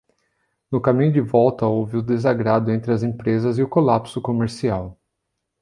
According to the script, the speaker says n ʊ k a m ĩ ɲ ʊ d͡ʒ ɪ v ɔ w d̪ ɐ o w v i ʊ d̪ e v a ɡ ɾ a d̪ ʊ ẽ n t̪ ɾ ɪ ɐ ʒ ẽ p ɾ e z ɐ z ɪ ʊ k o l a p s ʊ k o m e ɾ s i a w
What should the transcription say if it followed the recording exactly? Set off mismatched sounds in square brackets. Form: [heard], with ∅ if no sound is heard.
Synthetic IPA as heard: n ʊ k a m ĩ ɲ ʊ d͡ʒ ɪ v ɔ w [t̪] ɐ o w v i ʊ d̪ e [z] a ɡ ɾ a d̪ ʊ ẽ n t̪ ɾ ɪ ɐ [z] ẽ p ɾ e z ɐ z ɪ ʊ k o l a p s ʊ k o m e ɾ s i a w